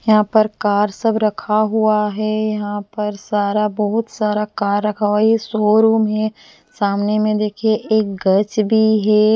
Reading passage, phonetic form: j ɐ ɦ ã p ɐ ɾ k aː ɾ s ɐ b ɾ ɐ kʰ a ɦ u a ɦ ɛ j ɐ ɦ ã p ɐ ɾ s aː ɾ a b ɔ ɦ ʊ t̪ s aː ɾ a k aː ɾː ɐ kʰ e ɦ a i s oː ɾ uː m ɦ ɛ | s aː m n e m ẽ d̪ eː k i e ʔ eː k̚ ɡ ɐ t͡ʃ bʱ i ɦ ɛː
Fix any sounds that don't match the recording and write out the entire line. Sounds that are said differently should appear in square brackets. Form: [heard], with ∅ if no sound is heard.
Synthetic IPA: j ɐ ɦ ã p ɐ ɾ k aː ɾ s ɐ b ɾ ɐ kʰ a ɦ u a ɦ ɛ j ɐ ɦ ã p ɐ ɾ s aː ɾ a b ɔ ɦ ʊ t̪ s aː ɾ a k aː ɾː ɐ kʰ [a] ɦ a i s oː ɾ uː m ɦ ɛ | s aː m n e m ẽ d̪ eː [kʰ] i e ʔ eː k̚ ɡ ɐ t͡ʃ bʱ i ɦ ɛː